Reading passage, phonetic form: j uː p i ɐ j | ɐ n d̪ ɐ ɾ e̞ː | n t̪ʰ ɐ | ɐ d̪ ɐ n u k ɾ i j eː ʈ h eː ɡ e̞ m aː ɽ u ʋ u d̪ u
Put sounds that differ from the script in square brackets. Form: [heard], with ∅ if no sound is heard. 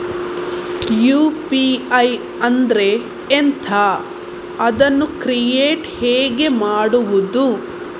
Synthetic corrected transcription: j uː p i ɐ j | ɐ n d̪ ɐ ɾ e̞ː | n t̪ʰ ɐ | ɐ d̪ ɐ [nː] u k ɾ i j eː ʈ h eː ɡ e̞ m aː ɽ u ʋ u d̪ u